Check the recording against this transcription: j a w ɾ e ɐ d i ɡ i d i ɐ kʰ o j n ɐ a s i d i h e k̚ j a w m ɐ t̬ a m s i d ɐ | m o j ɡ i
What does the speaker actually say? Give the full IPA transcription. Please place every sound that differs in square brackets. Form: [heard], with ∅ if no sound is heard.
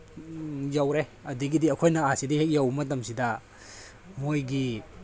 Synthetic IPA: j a w ɾ e ɐ d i ɡ i d i ɐ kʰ o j n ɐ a s i d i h e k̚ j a w m ɐ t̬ [ɐ] m s i d ɐ | m o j ɡ i